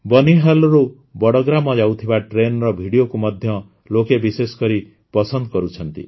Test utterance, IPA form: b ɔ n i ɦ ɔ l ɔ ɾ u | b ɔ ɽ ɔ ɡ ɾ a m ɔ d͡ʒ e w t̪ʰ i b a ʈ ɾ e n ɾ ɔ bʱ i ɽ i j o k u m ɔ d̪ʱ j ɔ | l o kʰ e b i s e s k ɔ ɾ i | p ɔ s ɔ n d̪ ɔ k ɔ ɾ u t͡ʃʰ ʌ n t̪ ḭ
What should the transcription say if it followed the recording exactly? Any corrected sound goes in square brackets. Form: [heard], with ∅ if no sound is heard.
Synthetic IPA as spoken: b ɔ n i ɦ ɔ l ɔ ɾ u | b ɔ ɽ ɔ ɡ ɾ a m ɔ d͡ʒ [a] w t̪ʰ i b a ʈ ɾ e n ɾ ɔ bʱ i ɽ i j o k u m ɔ d̪ʱ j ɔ | l o [k] e b i s e s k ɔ ɾ i | p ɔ s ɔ n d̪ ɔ k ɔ ɾ u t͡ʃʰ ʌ n t̪ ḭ